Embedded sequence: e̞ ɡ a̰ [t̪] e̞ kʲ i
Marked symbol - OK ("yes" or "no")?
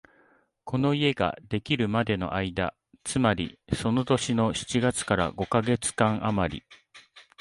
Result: no